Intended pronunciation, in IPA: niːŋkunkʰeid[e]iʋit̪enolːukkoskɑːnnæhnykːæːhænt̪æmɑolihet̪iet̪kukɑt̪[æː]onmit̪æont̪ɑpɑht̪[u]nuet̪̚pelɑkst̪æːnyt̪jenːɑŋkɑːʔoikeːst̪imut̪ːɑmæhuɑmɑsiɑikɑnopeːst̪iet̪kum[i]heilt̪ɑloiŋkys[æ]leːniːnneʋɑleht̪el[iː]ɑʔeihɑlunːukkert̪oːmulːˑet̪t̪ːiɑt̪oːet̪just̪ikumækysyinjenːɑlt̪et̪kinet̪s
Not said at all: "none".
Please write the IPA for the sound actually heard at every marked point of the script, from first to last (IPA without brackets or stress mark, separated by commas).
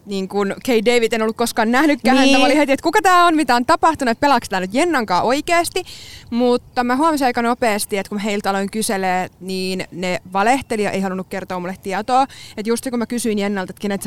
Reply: e, æː, u, æ, e, i